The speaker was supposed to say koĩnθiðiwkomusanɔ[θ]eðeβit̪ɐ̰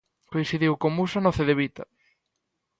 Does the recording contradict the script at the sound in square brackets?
no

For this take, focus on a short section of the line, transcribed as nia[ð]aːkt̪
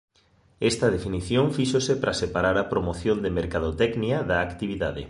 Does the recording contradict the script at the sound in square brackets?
no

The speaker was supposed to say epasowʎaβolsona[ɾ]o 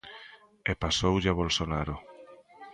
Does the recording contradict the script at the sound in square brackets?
no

